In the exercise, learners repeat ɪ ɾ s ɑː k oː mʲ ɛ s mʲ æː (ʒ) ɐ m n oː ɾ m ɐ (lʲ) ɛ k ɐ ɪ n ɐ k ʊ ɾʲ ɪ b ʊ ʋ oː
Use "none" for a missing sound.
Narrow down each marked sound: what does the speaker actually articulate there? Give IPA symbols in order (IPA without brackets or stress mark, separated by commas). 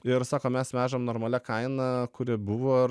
ʒ, lʲ